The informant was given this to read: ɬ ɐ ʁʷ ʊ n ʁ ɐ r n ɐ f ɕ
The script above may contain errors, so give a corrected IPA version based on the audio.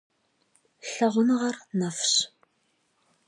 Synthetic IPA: ɬ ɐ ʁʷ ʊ n ʁ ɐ r n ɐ f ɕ